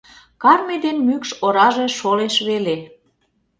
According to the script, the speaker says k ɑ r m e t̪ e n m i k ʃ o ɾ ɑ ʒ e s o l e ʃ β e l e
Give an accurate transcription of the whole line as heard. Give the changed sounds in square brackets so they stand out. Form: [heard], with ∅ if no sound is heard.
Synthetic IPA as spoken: k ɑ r m e [d̪] e n m [y] k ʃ o ɾ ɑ ʒ e [ʃ] o l e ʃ β e l e